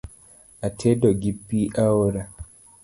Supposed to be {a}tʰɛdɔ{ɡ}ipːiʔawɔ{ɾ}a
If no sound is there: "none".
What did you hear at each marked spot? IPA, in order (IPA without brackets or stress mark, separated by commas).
a, ɡ, ɾ